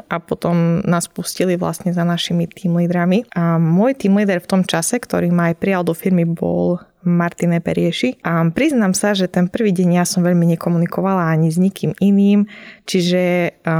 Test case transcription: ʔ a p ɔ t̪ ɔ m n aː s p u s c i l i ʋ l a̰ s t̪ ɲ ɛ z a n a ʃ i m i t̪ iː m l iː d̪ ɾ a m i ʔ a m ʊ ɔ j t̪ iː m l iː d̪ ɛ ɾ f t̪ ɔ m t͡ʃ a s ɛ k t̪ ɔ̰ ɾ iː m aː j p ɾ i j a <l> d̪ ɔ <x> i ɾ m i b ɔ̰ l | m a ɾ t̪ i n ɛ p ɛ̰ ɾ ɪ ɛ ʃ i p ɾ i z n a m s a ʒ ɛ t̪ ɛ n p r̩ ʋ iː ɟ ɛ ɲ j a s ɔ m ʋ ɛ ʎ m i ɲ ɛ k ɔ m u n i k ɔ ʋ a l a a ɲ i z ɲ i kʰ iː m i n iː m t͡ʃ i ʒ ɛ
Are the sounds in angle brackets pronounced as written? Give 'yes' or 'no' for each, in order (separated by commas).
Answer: yes, no